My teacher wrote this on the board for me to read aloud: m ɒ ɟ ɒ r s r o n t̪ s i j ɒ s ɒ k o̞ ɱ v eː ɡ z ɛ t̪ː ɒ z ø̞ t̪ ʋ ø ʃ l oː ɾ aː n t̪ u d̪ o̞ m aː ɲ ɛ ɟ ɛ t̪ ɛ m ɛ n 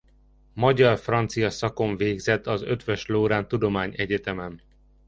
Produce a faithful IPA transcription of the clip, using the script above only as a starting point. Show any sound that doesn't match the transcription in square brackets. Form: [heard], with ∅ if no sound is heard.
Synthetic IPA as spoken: m ɒ ɟ ɒ r [f] r [ɒ] n t̪ s i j ɒ s ɒ k o̞ ɱ v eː ɡ z ɛ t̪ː ɒ z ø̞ t̪ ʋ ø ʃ l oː ɾ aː n t̪ u d̪ o̞ m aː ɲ ɛ ɟ ɛ t̪ ɛ m ɛ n